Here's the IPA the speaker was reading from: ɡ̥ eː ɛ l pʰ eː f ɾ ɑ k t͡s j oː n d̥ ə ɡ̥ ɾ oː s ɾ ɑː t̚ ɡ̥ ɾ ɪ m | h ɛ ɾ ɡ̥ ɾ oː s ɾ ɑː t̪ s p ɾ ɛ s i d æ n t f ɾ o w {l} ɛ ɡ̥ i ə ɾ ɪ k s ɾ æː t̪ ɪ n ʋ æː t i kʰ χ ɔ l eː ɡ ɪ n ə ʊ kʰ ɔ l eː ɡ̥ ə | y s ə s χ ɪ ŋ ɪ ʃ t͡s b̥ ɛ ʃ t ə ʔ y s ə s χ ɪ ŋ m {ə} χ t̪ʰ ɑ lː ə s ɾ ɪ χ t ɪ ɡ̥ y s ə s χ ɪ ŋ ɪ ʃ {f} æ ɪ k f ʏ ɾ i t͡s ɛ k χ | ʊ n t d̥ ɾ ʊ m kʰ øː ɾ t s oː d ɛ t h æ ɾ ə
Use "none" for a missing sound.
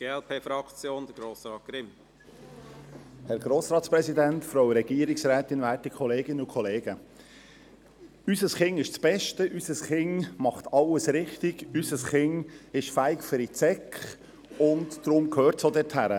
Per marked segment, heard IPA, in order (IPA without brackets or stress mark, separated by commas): ɾ, ɑ, f